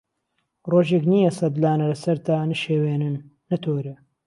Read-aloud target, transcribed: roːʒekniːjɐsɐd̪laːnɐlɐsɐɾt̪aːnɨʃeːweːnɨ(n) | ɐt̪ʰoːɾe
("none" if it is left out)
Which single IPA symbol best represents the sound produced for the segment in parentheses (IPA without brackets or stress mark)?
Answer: nː